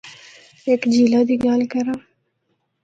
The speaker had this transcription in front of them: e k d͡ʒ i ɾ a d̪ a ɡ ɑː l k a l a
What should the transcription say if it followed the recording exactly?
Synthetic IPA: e k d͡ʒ i l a d̪ i ɡ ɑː l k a ɾ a